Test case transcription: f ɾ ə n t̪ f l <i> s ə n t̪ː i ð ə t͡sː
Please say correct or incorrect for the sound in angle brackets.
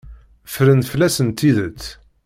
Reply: incorrect